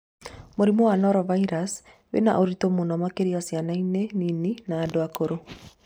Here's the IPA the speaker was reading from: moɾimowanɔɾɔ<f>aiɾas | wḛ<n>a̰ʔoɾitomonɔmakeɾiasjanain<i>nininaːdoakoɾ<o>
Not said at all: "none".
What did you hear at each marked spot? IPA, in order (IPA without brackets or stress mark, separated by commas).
v, n, e, o